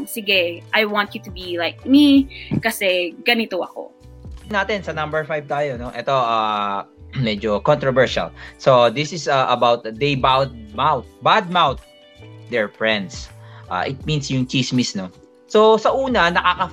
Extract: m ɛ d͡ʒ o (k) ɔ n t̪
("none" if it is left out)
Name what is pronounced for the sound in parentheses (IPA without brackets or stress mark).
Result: k